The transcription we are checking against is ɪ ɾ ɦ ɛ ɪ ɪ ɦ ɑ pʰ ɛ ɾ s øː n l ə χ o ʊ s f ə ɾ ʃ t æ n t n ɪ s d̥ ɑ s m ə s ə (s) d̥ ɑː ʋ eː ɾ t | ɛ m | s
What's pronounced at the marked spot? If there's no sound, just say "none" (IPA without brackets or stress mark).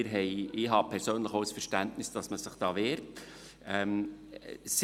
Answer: χ